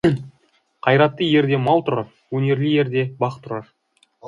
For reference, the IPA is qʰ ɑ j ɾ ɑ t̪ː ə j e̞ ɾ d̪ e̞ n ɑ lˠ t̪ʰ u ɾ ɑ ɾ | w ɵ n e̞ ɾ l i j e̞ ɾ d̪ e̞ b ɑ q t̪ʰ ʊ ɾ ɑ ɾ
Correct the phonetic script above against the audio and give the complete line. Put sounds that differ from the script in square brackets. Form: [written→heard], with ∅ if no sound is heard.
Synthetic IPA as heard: qʰ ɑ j ɾ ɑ t̪ː ə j e̞ ɾ d̪ e̞ [n→m] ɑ lˠ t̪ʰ [u→ʊ] ɾ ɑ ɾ | w ɵ n e̞ ɾ l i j e̞ ɾ d̪ e̞ b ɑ q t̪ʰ ʊ ɾ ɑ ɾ